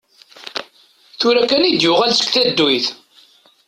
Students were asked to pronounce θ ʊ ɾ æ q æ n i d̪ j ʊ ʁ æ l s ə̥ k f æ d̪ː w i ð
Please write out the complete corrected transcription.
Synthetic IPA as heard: θ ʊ ɾ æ k æ n i d̪ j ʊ ʁ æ l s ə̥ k θ æ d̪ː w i θ